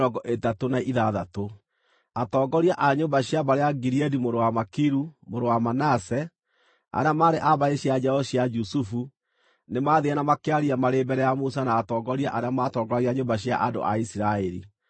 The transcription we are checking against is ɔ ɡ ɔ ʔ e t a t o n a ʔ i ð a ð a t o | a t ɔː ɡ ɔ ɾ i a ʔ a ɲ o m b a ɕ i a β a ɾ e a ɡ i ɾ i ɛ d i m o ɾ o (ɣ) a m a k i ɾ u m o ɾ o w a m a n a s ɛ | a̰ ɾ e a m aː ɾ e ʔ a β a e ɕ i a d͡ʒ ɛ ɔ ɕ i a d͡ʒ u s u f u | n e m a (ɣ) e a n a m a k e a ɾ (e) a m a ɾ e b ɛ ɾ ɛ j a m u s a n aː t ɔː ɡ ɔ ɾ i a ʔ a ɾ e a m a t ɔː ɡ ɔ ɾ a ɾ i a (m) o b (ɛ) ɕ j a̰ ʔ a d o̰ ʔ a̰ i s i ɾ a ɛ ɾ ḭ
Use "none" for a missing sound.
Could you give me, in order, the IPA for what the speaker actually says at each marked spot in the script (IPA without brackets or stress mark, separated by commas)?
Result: w, ð, i, ɲ, a